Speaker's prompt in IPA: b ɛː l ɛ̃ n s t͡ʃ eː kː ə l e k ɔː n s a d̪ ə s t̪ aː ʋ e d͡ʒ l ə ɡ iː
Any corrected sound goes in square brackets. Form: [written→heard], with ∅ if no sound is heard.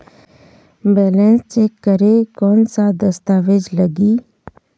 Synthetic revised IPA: b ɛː l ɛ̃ n s t͡ʃ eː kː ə [l→ɾ] e k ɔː n s a d̪ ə s t̪ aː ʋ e d͡ʒ l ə ɡ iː